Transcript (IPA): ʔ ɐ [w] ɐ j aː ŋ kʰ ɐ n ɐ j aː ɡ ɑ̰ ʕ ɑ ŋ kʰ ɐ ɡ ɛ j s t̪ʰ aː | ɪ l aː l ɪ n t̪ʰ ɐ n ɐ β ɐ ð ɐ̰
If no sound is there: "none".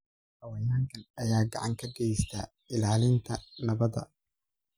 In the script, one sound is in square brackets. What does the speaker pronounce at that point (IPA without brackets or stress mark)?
w